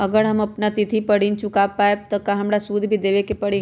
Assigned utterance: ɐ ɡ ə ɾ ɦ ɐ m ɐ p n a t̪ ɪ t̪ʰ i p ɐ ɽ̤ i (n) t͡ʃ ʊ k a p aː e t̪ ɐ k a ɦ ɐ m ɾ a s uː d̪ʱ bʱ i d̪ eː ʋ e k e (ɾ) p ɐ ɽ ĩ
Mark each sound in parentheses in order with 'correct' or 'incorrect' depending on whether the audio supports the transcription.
correct, incorrect

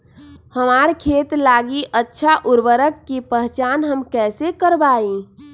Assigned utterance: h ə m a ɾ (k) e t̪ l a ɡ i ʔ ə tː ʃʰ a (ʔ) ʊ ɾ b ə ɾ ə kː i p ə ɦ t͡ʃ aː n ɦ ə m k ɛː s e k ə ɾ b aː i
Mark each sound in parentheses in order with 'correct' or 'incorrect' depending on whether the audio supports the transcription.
incorrect, correct

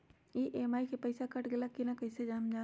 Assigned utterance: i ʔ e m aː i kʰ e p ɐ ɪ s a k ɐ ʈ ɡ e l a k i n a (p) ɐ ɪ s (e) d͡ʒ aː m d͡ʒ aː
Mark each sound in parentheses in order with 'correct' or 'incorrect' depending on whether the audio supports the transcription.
incorrect, correct

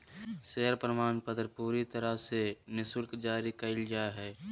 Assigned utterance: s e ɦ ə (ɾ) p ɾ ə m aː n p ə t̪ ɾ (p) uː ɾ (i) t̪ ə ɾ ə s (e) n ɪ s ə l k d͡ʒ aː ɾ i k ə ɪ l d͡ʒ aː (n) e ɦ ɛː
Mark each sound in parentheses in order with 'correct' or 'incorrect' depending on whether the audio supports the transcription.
correct, correct, correct, correct, incorrect

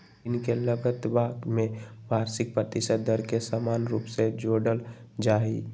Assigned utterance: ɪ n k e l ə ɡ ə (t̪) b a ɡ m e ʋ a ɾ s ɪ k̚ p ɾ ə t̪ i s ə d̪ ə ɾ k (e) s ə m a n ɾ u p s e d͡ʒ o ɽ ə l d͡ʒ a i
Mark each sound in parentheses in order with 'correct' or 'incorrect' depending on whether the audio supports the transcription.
correct, correct

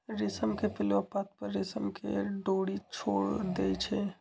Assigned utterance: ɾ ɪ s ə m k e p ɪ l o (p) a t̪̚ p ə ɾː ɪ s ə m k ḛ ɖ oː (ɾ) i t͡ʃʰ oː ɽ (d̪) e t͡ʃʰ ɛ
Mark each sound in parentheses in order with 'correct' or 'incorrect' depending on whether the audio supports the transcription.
correct, incorrect, correct

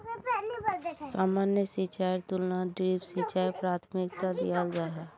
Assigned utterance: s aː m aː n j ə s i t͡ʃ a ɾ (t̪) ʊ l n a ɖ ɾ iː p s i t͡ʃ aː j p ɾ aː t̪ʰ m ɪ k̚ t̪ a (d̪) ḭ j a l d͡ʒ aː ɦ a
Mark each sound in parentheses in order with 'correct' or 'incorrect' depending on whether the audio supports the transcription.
correct, correct

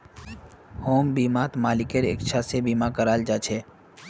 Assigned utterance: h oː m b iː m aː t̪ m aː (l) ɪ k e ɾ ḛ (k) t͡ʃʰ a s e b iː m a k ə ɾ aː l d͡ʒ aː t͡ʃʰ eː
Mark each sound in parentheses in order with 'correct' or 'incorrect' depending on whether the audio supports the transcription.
correct, correct

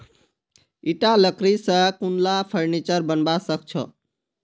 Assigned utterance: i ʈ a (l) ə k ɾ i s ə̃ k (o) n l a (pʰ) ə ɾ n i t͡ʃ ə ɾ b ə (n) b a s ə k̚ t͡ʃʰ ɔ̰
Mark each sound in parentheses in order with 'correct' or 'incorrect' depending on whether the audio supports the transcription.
correct, incorrect, correct, correct

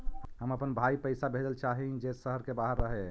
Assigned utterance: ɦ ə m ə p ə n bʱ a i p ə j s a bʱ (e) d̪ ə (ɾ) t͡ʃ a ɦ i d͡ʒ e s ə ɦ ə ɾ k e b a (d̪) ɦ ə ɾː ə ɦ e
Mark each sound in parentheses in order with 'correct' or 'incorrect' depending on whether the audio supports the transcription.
correct, incorrect, incorrect

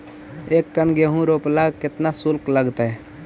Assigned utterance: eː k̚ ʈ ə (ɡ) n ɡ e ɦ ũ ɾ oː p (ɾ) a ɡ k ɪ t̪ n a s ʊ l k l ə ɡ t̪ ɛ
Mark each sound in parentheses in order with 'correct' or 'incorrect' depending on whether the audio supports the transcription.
incorrect, incorrect

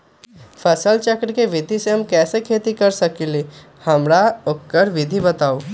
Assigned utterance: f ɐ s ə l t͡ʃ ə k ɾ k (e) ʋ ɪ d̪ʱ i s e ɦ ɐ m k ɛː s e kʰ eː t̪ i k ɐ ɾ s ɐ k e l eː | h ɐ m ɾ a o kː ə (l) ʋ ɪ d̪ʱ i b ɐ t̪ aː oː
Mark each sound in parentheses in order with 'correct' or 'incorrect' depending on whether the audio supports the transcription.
correct, incorrect

